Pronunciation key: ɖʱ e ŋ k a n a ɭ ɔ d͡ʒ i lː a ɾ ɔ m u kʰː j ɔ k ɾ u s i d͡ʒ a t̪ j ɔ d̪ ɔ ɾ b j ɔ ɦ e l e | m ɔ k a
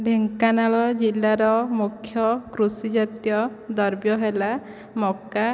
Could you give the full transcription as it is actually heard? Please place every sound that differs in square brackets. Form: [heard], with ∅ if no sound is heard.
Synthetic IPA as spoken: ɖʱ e ŋ k a n a ɭ ɔ d͡ʒ i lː a ɾ ɔ m u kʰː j ɔ k ɾ u s i d͡ʒ a t̪ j ɔ d̪ ɔ ɾ b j ɔ ɦ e l [a] | m ɔ k a